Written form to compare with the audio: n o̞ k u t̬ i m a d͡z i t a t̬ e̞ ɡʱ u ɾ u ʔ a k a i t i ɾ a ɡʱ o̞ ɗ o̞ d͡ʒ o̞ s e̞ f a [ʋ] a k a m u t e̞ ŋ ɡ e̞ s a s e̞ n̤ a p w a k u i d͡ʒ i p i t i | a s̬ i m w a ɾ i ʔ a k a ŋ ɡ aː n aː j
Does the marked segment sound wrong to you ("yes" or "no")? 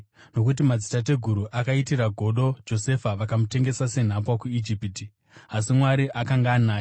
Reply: no